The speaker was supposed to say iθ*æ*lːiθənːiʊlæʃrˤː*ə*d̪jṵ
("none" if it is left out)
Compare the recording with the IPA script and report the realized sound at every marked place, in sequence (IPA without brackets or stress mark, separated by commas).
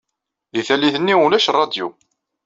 æ, ɑ